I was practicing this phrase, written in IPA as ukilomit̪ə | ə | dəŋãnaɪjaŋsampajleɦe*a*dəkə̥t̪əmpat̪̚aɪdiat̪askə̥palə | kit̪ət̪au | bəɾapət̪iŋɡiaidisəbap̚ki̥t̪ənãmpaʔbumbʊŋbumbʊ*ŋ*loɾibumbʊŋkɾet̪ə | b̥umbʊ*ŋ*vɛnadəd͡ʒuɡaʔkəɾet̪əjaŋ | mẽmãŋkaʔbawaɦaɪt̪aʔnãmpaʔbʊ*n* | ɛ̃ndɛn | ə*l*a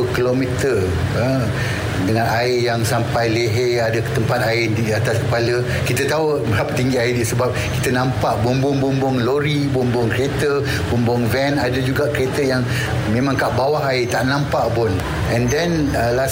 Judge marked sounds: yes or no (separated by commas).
yes, yes, yes, yes, yes